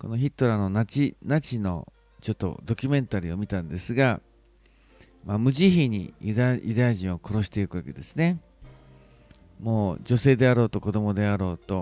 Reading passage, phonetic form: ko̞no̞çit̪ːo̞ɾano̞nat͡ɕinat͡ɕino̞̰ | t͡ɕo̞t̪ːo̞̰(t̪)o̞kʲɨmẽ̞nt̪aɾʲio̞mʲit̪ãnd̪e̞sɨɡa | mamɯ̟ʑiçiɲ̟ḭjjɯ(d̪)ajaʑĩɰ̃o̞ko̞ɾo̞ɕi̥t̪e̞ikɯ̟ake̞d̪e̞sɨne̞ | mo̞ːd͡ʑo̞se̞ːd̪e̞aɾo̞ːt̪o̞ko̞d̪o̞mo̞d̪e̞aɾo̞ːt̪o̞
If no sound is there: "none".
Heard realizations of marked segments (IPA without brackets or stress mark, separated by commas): d̪, d̪